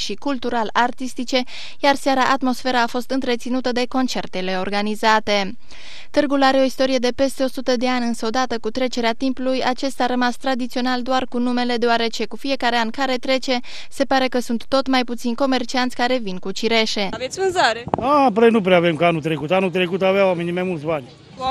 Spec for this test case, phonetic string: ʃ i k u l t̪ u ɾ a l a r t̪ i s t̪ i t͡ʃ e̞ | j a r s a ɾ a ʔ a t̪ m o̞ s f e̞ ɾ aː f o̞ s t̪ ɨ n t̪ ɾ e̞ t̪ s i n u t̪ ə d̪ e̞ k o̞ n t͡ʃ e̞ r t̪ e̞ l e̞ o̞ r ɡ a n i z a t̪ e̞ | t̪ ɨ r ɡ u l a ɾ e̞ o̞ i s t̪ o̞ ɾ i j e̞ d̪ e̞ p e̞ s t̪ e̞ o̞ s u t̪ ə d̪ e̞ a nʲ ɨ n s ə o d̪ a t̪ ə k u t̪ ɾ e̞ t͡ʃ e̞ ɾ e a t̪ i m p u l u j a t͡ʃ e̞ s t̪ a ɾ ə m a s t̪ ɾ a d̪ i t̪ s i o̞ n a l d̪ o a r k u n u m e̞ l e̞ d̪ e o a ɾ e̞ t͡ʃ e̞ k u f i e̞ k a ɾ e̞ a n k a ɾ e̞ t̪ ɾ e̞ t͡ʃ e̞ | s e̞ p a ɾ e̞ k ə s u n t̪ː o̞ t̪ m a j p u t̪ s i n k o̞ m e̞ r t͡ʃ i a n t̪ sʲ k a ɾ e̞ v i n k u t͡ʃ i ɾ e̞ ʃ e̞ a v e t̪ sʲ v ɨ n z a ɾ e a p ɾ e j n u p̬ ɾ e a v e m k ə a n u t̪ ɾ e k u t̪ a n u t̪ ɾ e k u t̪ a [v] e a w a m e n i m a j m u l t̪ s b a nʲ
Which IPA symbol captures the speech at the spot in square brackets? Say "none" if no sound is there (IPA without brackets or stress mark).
v